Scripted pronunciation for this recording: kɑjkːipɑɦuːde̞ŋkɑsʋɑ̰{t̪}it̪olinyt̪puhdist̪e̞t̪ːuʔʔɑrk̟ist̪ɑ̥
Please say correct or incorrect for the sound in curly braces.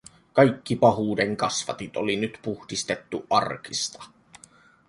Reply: correct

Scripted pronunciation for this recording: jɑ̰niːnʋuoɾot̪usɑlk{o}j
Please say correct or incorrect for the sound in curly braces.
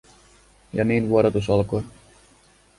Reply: correct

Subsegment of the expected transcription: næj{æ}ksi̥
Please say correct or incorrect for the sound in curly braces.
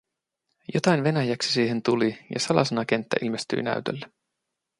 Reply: correct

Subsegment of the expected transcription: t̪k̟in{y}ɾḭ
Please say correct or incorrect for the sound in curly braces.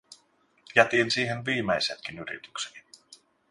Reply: correct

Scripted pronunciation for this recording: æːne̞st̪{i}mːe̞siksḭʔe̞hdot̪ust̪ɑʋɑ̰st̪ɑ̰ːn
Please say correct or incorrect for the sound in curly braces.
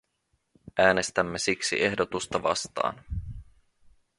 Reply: incorrect: æ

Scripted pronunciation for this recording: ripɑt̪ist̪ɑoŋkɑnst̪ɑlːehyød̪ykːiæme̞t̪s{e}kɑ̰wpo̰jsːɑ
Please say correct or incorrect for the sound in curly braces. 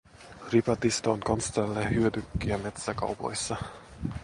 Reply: incorrect: æ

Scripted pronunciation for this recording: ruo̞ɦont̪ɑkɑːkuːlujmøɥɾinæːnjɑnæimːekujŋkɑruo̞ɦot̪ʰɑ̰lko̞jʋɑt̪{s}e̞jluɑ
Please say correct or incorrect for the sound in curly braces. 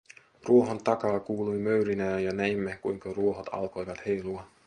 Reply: incorrect: h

